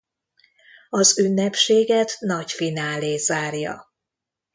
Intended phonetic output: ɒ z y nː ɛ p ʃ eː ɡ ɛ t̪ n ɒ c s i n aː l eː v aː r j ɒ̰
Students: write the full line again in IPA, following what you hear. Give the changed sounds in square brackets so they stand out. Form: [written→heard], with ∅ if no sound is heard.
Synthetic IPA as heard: ɒ z y nː ɛ p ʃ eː ɡ ɛ t̪ n ɒ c [s→f] i n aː l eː [v→z] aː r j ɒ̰